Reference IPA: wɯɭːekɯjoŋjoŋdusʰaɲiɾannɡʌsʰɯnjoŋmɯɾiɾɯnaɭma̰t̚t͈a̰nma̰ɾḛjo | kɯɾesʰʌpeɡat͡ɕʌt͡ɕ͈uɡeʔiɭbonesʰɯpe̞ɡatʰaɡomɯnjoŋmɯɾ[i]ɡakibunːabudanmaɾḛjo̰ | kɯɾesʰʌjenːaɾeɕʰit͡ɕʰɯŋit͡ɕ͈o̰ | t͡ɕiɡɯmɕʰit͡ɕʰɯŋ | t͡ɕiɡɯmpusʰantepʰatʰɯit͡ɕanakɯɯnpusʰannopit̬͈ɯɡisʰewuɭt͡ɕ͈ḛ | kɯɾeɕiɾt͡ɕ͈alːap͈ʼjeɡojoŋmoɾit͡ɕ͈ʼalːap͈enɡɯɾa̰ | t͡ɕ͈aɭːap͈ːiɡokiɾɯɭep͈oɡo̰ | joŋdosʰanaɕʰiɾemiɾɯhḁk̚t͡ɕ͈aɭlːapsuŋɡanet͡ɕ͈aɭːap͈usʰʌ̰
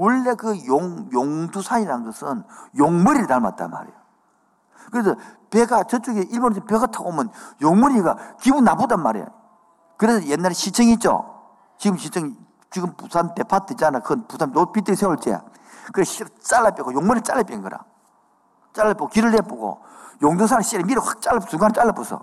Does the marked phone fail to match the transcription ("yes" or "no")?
no